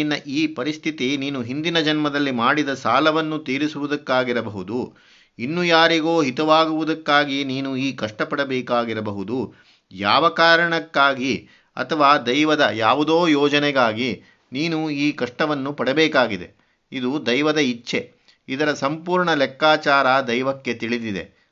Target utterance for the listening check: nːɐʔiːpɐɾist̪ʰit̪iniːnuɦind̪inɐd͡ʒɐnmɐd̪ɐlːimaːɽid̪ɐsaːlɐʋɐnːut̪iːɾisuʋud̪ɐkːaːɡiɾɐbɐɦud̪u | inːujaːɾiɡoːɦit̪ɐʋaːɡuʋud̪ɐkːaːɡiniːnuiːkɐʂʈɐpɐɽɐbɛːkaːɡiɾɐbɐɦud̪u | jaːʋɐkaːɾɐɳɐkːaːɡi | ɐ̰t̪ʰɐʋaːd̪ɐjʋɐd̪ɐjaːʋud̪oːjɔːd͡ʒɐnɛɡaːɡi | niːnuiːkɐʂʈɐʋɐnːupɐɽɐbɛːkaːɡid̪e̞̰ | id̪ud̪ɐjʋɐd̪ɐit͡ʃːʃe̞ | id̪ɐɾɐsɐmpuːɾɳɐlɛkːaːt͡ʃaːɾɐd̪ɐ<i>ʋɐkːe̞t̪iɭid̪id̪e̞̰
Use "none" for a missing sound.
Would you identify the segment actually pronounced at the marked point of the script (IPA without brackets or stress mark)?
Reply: j